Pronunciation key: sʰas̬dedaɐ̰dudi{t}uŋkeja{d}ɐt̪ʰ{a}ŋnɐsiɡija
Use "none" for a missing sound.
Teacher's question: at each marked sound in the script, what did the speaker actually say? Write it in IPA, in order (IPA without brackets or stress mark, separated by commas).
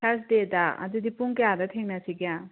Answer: p, d, e